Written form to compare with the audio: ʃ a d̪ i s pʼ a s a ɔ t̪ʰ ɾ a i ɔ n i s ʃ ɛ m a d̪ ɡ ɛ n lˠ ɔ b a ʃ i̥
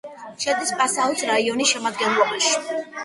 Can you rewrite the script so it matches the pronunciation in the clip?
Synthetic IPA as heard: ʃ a d̪ i s pʼ a s a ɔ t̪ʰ ɾ a i ɔ n i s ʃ ɛ m a d̪ ɡ ɛ n lˠ ɔ b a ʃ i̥